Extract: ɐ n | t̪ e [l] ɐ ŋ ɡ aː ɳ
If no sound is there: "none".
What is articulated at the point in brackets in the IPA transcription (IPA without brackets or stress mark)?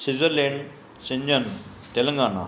l